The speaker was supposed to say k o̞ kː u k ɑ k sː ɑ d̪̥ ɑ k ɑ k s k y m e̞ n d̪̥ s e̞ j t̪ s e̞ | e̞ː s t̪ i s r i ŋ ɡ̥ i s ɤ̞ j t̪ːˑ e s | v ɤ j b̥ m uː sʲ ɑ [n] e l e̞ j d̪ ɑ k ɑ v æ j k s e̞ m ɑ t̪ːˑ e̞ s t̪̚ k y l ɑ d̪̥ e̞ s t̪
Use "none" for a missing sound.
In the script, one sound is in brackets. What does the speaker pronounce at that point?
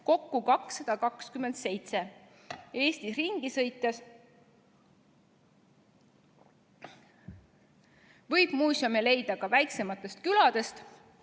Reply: m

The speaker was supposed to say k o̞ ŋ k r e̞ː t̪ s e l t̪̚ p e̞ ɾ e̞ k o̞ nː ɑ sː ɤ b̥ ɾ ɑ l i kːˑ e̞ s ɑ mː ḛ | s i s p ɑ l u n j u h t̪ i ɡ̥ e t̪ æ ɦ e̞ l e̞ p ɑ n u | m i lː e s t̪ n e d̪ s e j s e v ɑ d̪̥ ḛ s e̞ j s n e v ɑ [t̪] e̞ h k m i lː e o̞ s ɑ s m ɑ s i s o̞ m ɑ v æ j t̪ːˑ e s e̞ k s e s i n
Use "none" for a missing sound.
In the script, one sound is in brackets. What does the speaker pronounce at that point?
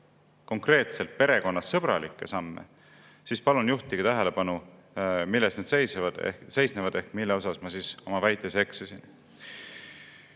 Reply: d̪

